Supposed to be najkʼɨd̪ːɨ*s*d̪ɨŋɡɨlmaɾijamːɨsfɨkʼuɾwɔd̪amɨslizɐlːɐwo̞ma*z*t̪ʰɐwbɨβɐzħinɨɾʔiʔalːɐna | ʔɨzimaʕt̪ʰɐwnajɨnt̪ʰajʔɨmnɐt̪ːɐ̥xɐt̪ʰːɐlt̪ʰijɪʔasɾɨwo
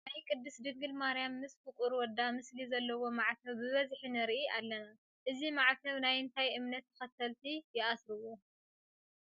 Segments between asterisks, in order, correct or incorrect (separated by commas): correct, incorrect